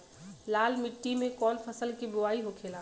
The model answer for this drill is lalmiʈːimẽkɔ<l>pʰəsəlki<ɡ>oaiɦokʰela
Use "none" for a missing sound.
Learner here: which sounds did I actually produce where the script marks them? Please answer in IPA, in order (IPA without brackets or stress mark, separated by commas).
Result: l, b